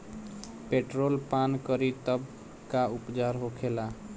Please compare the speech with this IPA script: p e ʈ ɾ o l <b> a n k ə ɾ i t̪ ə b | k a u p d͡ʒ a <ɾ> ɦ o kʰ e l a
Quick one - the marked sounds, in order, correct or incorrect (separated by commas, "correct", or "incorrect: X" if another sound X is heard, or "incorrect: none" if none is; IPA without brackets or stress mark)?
incorrect: p, correct